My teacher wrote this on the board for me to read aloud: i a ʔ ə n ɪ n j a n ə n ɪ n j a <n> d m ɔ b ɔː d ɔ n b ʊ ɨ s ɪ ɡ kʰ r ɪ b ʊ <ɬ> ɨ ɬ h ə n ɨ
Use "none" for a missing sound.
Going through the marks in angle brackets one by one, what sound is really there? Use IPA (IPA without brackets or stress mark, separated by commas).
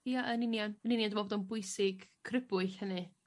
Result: n, none